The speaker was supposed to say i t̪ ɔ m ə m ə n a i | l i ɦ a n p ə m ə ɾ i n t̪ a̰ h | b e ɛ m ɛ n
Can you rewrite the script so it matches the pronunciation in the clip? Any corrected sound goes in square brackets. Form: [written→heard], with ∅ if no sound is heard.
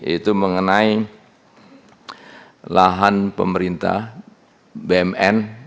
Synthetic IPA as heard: i t̪ [ɔ→u] m ə [m→ŋ] ə n a i | l [i→a] ɦ a n p ə m ə ɾ i n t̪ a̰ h | b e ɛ m ɛ n